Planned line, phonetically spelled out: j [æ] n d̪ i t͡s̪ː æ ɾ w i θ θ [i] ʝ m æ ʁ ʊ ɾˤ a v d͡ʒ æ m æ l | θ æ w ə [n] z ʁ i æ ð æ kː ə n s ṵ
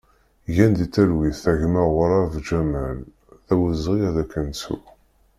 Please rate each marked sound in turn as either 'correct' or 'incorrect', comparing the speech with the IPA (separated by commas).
correct, incorrect, incorrect